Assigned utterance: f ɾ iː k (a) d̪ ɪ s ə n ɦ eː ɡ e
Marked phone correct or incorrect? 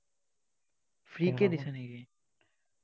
incorrect